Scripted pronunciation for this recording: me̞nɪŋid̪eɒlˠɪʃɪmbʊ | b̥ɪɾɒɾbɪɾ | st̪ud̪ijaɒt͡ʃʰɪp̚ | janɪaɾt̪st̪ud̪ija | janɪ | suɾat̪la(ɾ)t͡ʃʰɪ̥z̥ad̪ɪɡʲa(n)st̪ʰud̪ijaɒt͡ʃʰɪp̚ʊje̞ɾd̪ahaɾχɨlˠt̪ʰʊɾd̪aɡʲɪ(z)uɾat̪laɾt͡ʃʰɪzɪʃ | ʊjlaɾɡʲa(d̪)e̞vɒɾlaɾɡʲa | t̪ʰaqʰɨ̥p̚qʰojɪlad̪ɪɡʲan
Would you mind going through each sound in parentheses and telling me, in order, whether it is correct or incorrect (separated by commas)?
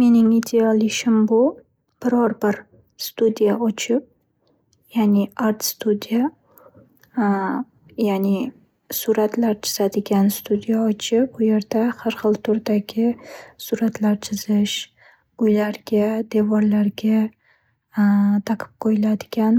correct, correct, incorrect, correct